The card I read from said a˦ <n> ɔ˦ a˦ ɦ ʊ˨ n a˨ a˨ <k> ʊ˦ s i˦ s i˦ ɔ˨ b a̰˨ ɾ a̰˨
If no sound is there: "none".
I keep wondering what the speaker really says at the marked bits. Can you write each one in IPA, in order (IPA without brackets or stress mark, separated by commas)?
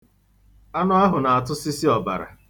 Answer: n, t